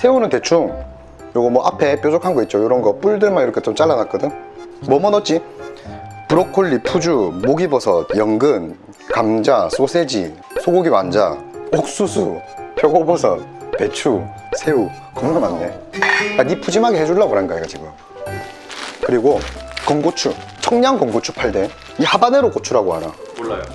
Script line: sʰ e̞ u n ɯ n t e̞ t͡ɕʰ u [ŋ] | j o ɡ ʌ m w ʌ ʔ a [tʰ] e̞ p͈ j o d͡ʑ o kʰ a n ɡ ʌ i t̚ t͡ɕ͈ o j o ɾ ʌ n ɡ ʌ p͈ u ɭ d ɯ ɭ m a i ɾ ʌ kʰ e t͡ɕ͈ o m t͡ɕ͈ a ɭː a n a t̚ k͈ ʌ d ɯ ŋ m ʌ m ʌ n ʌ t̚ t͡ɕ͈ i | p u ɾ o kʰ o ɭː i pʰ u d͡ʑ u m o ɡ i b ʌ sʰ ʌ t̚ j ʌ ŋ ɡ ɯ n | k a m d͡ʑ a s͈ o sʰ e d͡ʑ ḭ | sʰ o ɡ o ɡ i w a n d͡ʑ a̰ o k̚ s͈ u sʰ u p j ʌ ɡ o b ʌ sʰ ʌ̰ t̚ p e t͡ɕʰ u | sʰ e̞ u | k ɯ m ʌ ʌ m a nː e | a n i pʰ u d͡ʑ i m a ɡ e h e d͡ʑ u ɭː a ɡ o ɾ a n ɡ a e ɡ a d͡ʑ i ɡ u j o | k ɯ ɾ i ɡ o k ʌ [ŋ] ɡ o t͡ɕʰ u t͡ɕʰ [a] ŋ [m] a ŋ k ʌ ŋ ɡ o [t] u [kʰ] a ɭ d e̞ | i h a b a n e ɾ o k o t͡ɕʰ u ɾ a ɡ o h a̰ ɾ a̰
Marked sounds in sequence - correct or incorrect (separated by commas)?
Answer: correct, incorrect, correct, incorrect, incorrect, incorrect, incorrect